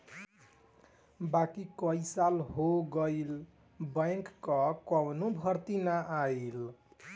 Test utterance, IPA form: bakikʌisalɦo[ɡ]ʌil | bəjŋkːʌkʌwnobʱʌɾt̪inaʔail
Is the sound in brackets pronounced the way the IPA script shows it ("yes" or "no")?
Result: yes